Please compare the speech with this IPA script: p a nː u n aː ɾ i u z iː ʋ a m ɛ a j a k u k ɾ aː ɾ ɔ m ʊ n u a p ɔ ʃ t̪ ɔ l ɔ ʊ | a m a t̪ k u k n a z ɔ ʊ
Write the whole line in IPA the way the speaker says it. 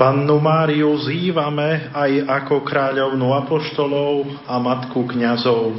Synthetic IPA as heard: p a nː u m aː ɾ i u z iː ʋ a m ɛ a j a k ɔ k ɾ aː ʎ ɔ ʊ n u a p ɔ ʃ t̪ ɔ l ɔ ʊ | a m a t̪ k u k ɲ a z ɔ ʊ